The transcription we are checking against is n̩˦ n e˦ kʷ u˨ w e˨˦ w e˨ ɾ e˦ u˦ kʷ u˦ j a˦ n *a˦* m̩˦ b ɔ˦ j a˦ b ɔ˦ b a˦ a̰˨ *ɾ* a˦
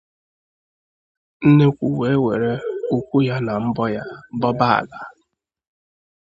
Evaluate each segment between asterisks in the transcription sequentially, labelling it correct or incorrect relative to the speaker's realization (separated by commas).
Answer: incorrect, incorrect